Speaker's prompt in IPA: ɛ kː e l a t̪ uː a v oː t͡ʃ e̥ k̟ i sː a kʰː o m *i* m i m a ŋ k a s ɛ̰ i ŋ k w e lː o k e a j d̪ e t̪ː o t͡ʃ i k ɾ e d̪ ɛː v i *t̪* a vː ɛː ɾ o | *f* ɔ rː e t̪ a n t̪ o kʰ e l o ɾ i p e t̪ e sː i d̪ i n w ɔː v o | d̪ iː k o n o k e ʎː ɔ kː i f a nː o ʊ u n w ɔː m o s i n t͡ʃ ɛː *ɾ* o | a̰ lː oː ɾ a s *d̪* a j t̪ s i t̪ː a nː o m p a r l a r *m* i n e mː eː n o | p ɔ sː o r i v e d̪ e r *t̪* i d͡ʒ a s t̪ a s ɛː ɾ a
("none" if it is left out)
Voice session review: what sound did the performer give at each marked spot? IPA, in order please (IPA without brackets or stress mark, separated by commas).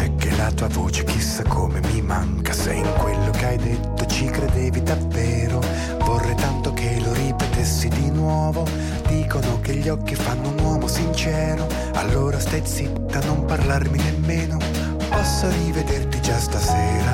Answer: e, d̪, v, ɾ, t̪, m, t̪